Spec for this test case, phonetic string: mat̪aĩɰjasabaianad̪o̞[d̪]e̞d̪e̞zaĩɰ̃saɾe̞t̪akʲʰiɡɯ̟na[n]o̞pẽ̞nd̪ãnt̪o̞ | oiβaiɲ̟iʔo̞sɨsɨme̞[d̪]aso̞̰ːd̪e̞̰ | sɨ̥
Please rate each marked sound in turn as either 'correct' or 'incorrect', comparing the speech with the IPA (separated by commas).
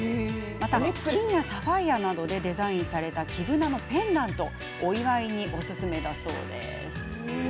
correct, correct, correct